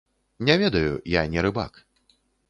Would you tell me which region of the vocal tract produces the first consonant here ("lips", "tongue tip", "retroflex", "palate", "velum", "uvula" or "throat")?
tongue tip